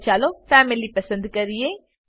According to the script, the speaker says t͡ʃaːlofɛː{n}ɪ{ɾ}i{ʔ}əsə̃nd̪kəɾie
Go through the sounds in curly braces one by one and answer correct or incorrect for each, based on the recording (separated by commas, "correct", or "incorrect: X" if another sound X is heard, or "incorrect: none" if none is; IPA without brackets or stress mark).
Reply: incorrect: m, incorrect: l, incorrect: p